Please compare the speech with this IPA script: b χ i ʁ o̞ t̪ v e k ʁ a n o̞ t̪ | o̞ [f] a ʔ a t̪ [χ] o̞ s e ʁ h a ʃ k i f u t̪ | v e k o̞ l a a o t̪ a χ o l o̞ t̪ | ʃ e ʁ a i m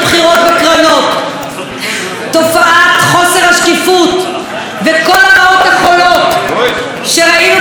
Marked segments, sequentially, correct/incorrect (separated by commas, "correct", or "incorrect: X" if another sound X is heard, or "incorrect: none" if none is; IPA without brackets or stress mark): correct, correct